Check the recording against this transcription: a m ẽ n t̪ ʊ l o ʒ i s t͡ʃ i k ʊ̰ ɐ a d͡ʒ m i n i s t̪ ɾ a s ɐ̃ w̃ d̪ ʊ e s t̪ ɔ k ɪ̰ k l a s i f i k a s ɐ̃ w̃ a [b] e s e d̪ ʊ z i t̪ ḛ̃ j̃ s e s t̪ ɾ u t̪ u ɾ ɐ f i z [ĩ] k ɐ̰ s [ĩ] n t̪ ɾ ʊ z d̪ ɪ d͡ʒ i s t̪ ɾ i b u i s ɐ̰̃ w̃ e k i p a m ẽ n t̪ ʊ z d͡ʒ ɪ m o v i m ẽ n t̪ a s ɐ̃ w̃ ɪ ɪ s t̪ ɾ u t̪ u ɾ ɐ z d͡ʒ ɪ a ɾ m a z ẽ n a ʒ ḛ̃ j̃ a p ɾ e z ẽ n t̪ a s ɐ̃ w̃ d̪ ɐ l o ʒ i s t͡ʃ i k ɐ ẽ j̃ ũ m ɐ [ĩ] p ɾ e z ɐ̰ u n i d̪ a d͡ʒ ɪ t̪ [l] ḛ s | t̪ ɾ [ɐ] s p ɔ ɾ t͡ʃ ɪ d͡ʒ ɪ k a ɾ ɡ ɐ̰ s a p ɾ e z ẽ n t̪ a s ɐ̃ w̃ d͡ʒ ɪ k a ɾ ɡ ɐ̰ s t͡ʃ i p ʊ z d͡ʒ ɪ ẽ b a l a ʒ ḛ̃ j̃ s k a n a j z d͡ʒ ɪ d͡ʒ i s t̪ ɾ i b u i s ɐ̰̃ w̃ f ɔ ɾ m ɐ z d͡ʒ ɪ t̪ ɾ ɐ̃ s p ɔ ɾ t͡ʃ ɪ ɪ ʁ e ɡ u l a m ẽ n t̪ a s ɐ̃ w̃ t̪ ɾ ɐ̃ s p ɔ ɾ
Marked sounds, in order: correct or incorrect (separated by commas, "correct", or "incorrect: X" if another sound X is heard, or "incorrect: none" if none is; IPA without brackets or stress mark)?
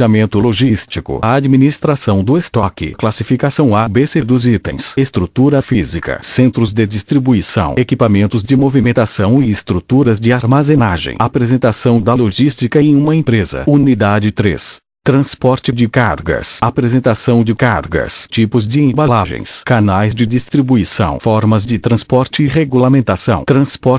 correct, incorrect: i, incorrect: ẽ, incorrect: ẽ, incorrect: ɾ, incorrect: ɐ̃